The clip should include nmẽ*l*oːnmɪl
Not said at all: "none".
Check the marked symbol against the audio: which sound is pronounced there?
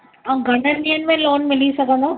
l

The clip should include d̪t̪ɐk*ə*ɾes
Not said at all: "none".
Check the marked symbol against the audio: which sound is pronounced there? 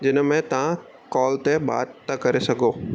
ɐ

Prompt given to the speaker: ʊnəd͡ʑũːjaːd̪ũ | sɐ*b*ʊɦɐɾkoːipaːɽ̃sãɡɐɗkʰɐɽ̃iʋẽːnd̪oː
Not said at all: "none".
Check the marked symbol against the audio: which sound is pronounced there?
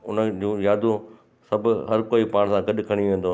b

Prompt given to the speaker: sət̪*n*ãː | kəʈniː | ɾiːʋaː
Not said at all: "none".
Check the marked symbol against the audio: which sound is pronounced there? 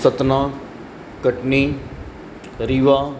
n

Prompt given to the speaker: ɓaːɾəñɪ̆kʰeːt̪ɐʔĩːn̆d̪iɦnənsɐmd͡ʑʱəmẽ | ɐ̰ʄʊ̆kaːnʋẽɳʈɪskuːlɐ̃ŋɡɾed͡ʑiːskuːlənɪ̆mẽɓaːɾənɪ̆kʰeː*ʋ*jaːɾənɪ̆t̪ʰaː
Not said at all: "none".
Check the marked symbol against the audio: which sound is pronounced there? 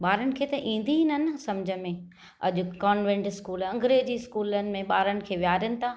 ʋ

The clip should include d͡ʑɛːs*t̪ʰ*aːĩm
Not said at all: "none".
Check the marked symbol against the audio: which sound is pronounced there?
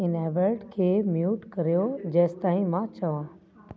t̪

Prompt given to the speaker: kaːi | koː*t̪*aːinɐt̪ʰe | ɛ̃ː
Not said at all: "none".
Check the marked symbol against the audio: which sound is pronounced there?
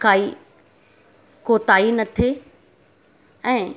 t̪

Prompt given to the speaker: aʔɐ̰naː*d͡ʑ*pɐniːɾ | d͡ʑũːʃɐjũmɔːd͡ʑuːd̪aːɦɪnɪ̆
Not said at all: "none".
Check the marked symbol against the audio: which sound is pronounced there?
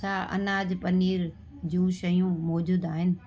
d͡ʑ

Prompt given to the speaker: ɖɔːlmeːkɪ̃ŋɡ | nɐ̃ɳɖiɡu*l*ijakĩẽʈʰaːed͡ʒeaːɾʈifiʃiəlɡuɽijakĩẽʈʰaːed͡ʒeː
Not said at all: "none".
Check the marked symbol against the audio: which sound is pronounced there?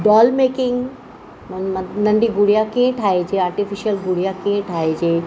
ɽ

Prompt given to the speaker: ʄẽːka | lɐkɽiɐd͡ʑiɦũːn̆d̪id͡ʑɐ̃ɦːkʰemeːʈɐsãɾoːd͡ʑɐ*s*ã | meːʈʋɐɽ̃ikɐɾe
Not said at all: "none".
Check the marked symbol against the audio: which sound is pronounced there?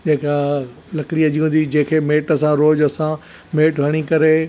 s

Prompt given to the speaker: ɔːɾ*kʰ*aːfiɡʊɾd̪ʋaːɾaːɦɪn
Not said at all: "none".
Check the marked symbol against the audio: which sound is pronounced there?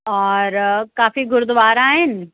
k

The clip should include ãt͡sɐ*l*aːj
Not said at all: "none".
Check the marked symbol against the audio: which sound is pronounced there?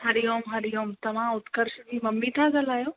l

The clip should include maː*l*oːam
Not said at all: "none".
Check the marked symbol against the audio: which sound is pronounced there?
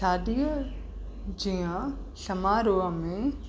ɾ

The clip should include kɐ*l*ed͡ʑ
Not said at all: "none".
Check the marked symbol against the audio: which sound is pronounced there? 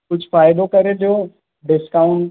ɾ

